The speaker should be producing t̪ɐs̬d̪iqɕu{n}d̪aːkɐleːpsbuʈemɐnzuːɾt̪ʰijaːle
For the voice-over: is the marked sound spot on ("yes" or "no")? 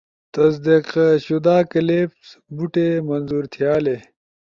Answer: no